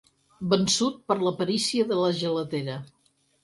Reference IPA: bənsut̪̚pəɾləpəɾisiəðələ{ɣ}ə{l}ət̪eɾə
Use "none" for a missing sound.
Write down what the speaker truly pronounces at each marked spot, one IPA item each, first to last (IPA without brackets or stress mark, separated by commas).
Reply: ʒ, l